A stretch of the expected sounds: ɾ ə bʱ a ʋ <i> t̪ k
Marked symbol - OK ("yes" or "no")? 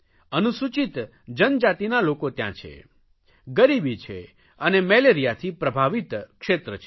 yes